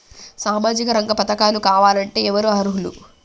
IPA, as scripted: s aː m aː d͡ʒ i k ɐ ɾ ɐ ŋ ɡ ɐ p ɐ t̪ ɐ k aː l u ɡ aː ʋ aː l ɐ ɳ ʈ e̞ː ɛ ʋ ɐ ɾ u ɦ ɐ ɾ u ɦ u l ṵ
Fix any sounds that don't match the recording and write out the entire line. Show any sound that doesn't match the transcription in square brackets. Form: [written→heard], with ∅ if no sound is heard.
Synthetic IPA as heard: s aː m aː d͡ʒ i k ɐ ɾ ɐ ŋ ɡ ɐ p ɐ t̪ ɐ k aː l u [ɡ→k] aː ʋ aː l ɐ ɳ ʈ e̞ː ɛ ʋ ɐ ɾ u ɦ ɐ ɾ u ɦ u l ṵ